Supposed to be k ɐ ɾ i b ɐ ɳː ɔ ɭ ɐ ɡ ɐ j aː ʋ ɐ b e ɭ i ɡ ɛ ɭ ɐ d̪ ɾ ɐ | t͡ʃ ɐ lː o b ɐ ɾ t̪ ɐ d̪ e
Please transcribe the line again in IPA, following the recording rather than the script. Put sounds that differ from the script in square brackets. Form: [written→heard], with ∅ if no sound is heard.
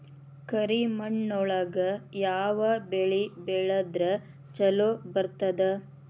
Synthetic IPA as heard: k ɐ ɾ i [b→m] ɐ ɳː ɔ ɭ ɐ ɡ ɐ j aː ʋ ɐ b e ɭ i [ɡ→b] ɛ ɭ ɐ d̪ ɾ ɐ | t͡ʃ ɐ [lː→l] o b ɐ ɾ t̪ ɐ d̪ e